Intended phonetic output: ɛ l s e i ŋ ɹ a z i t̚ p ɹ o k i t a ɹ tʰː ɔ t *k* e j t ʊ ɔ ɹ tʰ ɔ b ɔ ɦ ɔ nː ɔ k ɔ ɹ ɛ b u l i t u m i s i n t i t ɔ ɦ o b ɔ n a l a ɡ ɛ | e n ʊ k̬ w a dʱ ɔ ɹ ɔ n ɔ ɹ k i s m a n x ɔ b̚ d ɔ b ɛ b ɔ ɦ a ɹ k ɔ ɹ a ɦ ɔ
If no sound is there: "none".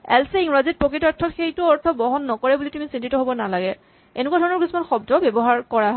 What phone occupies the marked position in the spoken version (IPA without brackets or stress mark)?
x